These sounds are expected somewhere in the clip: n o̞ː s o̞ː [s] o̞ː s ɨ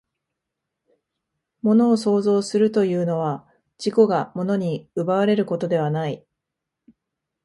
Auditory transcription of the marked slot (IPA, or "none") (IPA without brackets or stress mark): z